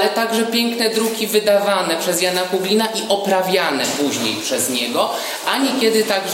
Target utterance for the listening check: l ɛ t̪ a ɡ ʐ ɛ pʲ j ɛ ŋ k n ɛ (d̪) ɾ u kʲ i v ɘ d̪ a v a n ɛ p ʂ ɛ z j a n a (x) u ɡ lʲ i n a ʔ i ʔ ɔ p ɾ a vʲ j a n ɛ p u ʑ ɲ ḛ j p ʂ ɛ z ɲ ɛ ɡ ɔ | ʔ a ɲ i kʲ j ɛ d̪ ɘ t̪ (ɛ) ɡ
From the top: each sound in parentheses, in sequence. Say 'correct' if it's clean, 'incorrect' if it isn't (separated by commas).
correct, incorrect, incorrect